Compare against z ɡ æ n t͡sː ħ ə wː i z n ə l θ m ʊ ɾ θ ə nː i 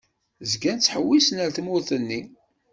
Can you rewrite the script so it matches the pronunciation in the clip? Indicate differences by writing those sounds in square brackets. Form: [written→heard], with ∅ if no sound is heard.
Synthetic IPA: z ɡ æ n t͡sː ħ ə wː i [z→s] n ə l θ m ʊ ɾ θ ə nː i